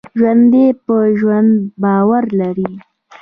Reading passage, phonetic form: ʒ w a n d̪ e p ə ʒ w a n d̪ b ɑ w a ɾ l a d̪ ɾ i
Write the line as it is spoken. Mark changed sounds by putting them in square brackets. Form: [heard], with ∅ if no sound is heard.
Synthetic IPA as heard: ʒ w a n d̪ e p ə ʒ w a n d̪ b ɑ w a ɾ l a [∅] ɾ i